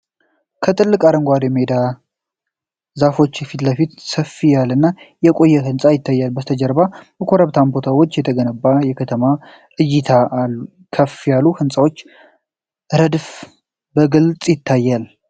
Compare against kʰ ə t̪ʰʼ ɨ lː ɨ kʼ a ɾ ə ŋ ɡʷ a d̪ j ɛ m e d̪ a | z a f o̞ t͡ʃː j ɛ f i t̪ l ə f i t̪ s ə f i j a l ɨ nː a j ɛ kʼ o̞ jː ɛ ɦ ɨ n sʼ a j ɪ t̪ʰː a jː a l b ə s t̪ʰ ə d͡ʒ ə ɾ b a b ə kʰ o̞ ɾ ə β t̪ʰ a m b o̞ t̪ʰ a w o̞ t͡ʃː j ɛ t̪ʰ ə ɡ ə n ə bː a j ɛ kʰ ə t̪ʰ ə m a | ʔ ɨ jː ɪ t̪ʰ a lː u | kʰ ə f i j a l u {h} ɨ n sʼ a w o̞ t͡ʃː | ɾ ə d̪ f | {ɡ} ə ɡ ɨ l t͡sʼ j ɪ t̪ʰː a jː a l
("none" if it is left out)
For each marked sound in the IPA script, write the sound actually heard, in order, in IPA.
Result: h, b

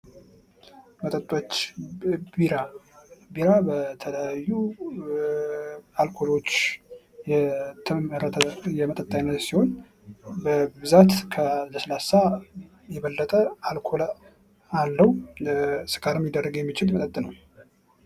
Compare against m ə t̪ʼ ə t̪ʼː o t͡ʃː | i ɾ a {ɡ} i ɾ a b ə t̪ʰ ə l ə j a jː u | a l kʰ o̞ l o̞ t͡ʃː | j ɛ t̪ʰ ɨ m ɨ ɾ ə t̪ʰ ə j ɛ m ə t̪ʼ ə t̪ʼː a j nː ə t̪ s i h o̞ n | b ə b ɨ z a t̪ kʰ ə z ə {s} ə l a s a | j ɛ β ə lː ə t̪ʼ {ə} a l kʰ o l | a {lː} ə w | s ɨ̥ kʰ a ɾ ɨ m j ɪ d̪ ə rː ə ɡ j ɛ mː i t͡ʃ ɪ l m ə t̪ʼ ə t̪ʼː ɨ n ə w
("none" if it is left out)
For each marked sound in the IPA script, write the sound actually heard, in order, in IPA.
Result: b, s, ə, lː

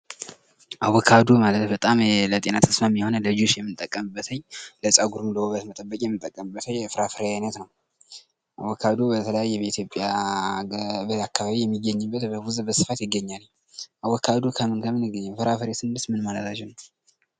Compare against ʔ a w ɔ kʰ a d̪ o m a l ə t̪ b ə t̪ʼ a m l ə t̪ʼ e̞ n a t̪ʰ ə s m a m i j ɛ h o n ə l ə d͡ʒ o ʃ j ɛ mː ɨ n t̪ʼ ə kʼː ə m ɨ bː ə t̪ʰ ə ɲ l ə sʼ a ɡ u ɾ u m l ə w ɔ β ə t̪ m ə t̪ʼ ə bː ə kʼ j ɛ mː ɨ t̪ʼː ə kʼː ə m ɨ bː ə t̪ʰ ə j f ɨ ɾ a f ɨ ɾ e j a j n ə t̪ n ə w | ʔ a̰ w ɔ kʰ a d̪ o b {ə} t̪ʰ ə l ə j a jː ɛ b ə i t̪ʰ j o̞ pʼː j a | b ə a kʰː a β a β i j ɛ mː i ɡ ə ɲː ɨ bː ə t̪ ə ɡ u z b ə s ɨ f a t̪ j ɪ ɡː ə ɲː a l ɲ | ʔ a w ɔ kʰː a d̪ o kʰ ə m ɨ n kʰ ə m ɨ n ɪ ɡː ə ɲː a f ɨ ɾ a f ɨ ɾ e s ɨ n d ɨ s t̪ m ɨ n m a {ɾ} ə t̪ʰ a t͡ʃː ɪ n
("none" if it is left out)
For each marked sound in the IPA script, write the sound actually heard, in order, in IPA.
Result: ə, l

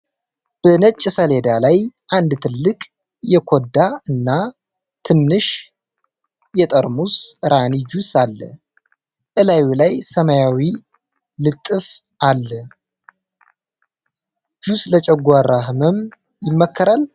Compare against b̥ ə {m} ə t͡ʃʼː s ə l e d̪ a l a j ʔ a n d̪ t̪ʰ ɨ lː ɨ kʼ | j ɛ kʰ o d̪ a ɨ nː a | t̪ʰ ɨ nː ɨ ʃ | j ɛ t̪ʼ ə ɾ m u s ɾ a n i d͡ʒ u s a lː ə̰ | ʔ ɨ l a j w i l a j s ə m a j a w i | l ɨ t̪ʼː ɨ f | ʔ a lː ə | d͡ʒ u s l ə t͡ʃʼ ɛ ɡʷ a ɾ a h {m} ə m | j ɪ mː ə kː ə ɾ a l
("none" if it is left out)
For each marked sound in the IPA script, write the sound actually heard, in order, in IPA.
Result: n, m

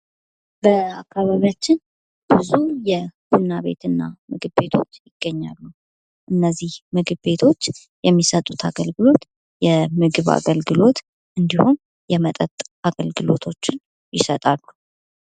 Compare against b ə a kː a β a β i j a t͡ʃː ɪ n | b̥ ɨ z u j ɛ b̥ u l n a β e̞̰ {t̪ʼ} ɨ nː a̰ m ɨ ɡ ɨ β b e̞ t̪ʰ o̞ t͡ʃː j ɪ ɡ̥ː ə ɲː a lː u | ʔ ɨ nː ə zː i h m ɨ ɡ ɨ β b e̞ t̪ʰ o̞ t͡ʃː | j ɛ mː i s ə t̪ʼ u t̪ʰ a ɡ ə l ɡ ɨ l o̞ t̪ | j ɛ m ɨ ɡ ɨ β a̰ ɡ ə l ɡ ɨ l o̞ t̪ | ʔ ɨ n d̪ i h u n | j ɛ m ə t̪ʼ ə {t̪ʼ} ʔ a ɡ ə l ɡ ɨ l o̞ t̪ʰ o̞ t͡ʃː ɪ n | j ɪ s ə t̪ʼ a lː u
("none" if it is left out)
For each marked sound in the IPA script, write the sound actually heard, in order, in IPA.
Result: t̪, t̪ʼ

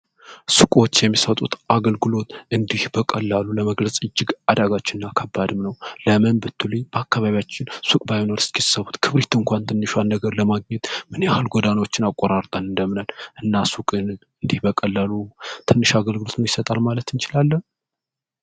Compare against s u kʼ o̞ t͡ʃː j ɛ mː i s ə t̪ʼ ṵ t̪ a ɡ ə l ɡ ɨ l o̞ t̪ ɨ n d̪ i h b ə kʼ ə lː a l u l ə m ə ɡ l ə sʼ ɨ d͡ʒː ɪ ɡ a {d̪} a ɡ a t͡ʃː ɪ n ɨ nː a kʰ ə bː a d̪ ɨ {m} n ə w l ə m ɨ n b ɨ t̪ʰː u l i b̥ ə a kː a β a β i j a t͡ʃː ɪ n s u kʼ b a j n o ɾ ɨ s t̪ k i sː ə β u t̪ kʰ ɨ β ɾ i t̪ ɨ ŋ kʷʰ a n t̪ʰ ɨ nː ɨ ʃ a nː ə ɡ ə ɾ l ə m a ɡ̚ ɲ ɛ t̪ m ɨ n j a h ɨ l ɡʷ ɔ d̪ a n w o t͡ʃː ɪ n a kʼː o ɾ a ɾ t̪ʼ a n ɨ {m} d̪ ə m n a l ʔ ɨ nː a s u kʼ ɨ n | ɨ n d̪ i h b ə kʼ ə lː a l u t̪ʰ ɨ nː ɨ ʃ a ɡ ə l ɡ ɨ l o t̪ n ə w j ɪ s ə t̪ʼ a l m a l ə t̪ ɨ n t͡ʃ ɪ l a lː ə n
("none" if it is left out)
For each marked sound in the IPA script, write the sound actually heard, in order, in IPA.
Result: d̪, m, n

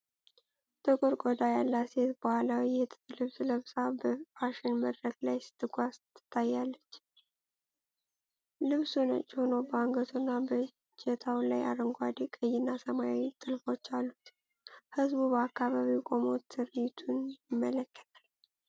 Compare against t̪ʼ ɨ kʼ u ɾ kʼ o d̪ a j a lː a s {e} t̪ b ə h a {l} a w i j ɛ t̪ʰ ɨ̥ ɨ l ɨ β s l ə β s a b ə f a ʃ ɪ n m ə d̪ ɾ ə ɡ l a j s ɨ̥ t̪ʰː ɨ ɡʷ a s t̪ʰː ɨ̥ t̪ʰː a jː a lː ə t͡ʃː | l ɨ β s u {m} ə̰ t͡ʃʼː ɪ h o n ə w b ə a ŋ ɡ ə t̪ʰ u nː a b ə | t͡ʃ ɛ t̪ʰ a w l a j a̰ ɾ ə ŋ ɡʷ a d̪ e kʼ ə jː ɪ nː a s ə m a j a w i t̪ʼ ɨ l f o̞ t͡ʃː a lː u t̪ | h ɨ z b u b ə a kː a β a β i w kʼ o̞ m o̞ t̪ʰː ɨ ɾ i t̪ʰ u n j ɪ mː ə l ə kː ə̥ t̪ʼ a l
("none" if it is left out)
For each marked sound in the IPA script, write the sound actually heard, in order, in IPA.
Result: e, l, n

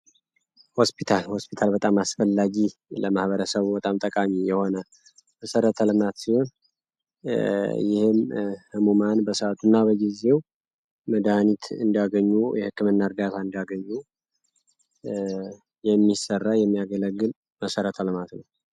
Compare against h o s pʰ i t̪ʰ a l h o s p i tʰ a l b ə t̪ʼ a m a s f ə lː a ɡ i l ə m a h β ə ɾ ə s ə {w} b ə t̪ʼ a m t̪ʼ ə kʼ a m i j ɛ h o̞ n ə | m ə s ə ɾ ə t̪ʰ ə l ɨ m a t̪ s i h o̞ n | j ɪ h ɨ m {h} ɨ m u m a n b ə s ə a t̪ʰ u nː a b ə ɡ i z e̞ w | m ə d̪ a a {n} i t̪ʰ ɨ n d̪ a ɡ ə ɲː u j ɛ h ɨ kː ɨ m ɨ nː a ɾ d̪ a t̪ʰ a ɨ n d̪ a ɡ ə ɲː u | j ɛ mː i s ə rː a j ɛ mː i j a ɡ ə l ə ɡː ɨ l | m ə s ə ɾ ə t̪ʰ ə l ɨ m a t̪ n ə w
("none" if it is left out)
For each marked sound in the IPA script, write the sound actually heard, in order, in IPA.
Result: β, h, n

